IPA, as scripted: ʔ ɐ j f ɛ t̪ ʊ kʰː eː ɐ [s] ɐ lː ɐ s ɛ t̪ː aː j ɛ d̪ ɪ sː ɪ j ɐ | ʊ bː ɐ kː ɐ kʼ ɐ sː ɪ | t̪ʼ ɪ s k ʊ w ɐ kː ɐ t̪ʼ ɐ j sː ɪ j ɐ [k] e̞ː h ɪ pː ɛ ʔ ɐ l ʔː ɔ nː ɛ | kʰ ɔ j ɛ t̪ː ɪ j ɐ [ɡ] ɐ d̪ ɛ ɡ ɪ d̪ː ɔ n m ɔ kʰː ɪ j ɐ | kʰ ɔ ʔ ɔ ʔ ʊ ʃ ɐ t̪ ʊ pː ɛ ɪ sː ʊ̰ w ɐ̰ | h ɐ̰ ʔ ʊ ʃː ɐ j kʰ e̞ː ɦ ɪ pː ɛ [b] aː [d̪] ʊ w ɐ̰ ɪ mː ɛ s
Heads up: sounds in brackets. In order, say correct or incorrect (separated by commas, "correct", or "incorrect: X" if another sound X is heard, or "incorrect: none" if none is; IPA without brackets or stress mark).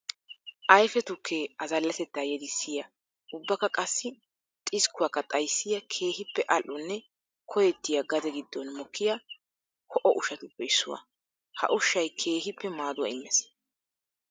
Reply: incorrect: z, incorrect: kʰ, correct, incorrect: m, correct